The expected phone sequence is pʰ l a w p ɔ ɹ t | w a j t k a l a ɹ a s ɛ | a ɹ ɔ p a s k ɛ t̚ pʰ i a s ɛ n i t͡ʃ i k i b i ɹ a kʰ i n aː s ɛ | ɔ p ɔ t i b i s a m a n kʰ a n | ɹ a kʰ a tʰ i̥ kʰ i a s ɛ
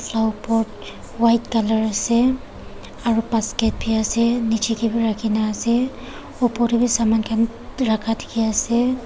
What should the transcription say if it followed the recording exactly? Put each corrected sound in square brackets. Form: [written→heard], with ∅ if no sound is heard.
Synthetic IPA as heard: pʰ l a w p ɔ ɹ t | w a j t k a l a ɹ a s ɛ | a ɹ [ɔ→u] p a s k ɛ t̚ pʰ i a s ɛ n i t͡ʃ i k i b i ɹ a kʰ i n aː s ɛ | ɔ p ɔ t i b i s a m a n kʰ a n | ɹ a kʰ a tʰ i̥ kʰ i a s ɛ